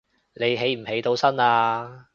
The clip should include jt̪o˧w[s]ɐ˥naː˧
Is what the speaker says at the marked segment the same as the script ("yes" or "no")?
yes